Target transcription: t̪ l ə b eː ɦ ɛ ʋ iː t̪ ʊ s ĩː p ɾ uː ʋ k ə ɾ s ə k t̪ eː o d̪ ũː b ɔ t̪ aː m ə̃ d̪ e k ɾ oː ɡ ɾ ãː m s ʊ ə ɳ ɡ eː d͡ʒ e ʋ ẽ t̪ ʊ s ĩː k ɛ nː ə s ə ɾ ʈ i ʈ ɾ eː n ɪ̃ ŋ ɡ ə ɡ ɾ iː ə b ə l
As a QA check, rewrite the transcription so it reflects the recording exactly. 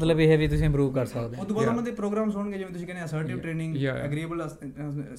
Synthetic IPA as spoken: t̪ l ə b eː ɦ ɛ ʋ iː t̪ ʊ s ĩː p ɾ uː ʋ k ə ɾ s ə k d̪ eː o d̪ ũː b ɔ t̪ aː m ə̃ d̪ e p ɾ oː ɡ ɾ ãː m s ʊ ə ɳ ɡ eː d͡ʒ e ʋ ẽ t̪ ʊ s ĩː k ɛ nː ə s ə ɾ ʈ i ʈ ɾ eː n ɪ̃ ŋ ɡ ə ɡ ɾ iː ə b ə l